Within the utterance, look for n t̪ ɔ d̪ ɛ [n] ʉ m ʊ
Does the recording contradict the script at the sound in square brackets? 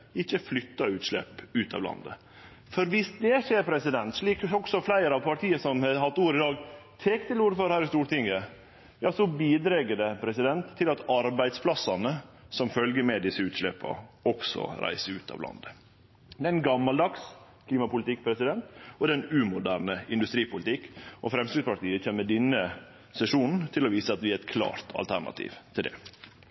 no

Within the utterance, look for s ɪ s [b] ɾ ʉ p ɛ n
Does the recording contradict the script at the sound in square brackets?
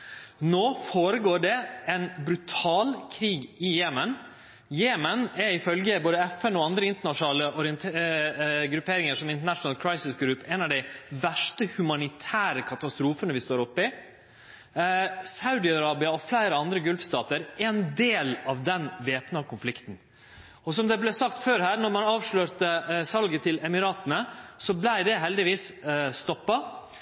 yes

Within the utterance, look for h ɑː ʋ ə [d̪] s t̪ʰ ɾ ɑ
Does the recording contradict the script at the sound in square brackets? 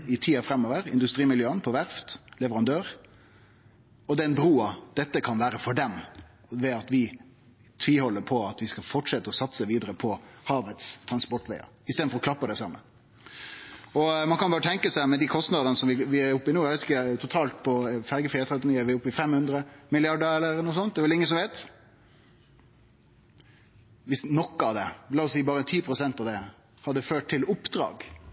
yes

